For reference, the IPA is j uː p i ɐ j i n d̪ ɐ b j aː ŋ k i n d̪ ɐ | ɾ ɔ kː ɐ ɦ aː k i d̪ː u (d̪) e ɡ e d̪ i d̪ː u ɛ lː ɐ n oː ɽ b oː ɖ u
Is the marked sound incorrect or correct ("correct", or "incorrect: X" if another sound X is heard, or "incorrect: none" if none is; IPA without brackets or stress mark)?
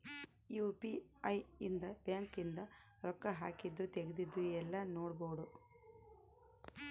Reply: incorrect: t̪